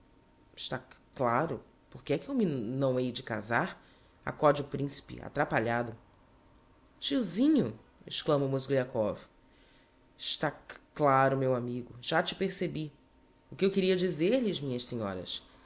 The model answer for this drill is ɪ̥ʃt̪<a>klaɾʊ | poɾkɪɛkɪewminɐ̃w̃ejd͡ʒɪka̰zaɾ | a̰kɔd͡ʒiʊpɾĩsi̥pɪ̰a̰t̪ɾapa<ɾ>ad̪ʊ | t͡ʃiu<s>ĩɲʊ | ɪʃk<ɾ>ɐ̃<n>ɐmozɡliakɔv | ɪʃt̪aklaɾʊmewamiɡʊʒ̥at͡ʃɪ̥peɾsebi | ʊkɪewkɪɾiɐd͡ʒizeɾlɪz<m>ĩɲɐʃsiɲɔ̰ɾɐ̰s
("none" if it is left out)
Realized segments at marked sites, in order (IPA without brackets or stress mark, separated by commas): a, ʎ, z, l, m, m